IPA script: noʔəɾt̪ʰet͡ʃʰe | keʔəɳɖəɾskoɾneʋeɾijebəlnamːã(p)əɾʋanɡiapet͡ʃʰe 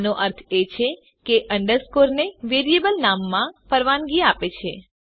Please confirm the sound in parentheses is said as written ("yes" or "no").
yes